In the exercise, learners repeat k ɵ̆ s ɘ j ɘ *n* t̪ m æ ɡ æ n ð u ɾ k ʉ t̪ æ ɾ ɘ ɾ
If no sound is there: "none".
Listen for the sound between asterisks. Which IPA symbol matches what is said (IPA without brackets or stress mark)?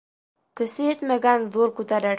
none